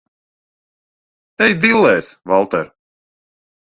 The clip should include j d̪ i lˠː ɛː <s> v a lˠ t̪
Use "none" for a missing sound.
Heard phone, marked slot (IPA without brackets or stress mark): s